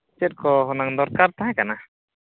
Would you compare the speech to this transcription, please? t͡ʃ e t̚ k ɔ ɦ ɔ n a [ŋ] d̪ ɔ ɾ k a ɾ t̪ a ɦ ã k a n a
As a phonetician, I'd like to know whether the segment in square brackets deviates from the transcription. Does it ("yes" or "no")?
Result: no